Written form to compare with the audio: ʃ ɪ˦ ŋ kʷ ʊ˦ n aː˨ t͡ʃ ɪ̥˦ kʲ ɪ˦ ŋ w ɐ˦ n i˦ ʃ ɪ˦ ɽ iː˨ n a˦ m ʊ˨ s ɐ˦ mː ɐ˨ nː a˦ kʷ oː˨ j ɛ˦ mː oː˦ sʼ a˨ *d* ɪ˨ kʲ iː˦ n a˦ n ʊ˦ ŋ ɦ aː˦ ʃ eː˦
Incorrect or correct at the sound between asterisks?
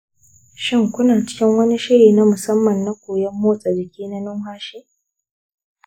incorrect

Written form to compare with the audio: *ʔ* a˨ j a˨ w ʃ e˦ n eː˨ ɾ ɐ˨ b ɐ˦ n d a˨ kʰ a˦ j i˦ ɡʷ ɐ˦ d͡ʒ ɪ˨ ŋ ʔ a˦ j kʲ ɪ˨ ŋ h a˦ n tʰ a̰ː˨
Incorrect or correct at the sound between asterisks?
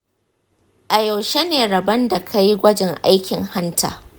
correct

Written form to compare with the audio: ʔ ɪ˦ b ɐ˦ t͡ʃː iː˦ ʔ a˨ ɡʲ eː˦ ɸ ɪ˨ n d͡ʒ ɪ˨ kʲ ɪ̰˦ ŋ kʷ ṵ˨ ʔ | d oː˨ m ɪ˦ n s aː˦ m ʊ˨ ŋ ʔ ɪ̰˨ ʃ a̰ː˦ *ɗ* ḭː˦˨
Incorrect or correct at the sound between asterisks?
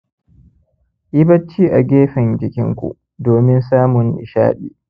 correct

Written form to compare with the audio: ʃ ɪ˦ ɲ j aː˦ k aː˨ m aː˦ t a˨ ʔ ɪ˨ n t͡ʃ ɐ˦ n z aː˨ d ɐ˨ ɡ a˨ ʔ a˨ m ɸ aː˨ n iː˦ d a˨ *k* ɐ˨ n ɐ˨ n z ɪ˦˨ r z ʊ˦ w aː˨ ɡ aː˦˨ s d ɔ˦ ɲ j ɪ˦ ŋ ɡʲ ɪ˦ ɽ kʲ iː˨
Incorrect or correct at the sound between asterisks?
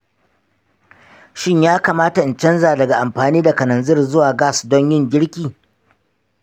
correct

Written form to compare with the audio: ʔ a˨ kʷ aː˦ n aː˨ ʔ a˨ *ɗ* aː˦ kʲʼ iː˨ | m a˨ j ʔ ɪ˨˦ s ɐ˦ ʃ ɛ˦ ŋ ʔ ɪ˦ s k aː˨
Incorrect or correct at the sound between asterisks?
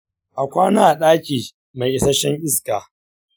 correct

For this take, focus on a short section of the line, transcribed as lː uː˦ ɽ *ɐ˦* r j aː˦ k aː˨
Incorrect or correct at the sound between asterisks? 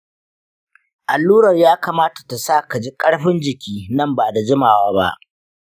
incorrect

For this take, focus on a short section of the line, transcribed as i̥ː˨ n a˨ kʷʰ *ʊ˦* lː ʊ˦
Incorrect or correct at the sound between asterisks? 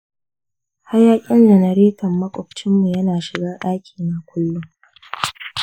correct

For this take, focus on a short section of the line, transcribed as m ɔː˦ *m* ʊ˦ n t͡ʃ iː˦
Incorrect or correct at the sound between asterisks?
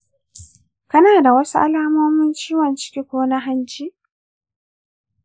correct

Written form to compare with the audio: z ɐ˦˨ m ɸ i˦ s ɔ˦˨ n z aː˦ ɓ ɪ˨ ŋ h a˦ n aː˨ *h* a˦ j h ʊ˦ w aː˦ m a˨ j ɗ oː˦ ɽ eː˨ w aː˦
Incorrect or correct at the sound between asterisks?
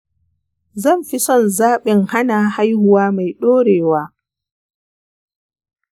correct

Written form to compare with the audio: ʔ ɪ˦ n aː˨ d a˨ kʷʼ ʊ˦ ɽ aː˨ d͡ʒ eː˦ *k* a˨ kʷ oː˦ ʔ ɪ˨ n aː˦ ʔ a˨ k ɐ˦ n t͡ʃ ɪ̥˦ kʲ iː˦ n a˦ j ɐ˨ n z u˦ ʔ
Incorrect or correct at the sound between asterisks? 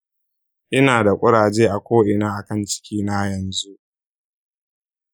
incorrect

